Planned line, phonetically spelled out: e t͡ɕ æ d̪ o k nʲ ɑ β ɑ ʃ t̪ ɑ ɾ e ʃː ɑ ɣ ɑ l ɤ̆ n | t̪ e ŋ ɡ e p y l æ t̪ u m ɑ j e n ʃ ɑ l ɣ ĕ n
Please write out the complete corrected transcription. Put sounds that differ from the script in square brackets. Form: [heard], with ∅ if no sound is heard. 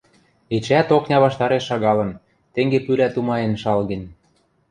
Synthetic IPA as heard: e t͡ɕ æ [t̪] o k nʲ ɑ β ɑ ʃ t̪ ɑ ɾ e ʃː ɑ ɣ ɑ l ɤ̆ n | t̪ e ŋ ɡ e p y l æ t̪ u m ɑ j e n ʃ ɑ l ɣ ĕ n